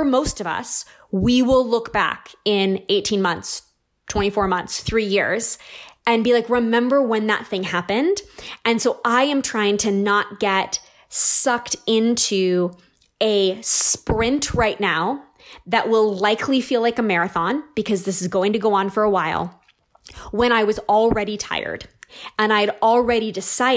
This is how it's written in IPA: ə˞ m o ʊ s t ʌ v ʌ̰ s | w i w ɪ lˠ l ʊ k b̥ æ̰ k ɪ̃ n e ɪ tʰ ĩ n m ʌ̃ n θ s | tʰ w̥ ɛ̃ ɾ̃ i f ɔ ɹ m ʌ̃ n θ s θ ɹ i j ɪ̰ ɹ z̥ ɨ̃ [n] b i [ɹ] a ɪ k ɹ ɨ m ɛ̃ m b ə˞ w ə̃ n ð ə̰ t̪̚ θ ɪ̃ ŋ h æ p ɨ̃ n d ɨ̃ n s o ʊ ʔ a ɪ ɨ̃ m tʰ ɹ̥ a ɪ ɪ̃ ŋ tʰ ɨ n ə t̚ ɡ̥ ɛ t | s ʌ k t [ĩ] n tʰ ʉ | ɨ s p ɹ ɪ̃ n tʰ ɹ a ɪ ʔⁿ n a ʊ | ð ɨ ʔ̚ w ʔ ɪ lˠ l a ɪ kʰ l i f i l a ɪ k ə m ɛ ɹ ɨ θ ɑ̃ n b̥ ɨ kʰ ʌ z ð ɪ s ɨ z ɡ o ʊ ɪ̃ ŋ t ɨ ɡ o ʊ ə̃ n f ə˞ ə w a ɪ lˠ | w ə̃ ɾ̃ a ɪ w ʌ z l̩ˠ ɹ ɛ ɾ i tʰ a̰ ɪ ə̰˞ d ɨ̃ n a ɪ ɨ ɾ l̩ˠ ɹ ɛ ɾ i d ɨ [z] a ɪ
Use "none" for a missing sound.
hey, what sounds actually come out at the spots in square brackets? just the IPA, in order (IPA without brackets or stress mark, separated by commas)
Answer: n, l, ɪ̃, s